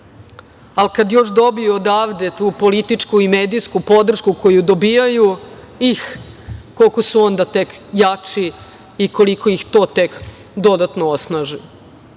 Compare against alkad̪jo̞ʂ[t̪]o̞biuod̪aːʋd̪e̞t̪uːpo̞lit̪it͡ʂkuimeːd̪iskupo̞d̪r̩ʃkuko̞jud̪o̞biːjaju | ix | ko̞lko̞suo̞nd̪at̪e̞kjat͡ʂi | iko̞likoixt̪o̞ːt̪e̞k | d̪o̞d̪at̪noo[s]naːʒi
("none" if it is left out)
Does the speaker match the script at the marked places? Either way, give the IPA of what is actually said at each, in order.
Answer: d̪, s

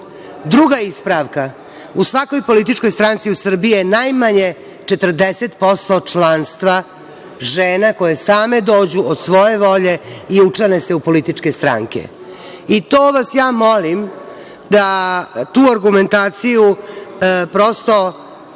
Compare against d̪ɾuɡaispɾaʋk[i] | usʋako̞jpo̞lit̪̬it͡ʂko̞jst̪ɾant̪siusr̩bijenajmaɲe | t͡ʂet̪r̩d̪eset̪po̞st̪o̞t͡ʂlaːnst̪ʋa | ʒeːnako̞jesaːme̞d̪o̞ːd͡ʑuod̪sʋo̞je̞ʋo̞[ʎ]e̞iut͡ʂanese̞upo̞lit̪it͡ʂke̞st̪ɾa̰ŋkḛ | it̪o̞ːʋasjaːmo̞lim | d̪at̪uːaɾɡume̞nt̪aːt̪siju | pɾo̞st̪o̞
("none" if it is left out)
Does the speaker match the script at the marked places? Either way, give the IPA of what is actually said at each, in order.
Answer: a, ʎ

